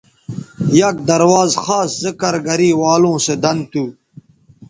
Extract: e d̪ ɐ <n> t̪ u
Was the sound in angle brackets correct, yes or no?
yes